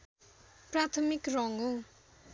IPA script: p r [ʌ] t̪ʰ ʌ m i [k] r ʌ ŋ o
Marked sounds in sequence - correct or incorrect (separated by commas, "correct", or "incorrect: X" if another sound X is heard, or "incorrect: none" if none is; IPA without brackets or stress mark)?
incorrect: a, correct